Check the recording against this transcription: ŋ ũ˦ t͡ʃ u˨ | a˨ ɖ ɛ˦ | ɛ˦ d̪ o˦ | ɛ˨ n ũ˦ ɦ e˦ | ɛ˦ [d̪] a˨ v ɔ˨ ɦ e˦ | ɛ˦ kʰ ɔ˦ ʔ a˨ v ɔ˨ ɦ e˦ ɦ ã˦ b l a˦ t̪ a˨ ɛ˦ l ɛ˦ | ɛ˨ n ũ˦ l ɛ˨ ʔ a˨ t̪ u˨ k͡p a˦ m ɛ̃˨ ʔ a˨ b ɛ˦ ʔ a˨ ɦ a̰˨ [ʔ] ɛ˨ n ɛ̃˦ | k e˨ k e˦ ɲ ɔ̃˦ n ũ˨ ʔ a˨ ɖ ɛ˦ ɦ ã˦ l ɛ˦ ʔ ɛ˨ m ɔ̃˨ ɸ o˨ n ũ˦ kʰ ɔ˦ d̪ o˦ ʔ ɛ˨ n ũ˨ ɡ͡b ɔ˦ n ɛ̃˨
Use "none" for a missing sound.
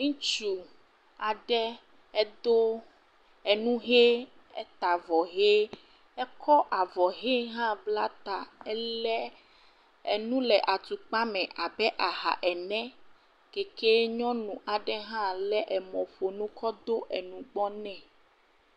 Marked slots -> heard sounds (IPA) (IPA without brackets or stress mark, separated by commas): t̪, ʔ